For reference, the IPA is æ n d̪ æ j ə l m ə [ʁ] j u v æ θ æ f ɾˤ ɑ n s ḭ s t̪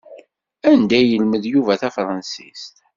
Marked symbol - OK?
no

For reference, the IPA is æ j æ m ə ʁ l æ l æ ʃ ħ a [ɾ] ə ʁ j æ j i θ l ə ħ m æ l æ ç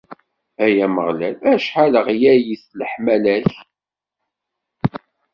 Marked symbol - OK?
no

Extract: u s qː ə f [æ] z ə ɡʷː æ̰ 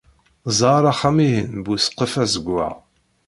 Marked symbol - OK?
yes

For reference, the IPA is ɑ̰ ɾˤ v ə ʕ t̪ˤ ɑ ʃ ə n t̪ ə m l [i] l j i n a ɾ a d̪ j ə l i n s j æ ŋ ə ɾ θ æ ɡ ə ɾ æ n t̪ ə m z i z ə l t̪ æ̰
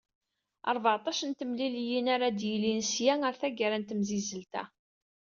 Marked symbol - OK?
yes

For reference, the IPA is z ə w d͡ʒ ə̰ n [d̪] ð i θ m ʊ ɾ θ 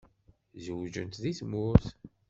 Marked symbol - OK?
no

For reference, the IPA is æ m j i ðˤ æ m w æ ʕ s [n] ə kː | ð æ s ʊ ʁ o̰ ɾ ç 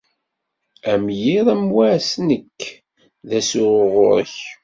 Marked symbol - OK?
yes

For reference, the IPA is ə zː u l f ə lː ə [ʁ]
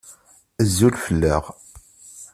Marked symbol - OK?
yes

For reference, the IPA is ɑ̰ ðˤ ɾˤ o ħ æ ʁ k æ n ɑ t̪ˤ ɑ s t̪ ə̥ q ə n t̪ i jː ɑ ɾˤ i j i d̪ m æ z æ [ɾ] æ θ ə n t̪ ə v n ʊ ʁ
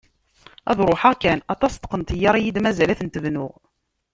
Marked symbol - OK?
no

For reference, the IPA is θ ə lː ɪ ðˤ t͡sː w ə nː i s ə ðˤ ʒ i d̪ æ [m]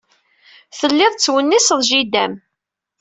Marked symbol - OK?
yes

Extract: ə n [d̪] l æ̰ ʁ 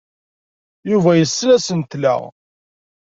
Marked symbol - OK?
no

